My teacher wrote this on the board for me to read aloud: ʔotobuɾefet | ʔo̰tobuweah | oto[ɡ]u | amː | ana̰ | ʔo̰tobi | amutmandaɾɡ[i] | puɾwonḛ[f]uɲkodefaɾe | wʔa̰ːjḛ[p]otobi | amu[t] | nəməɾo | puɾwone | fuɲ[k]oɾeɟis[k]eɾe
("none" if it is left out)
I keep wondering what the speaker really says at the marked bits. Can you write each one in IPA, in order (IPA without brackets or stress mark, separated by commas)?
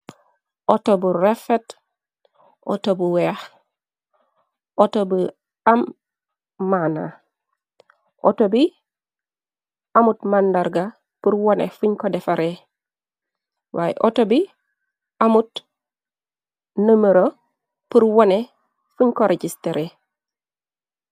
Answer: b, a, f, ʔ, t, k, t